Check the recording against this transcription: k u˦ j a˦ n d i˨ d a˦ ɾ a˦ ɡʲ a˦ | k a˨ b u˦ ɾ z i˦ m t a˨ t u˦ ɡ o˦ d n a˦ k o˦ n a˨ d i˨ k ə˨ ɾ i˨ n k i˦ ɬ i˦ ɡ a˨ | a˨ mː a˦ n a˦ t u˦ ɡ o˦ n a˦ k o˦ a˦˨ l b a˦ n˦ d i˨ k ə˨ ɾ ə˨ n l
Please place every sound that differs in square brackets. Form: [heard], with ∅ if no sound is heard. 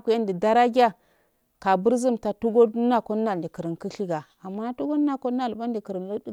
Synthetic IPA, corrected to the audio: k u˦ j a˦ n d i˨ d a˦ ɾ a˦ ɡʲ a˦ | k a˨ b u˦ ɾ z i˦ m t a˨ t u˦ ɡ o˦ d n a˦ k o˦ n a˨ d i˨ k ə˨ ɾ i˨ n k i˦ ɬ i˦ ɡ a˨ | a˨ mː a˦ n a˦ t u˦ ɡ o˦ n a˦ k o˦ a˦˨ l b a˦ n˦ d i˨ k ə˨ ɾ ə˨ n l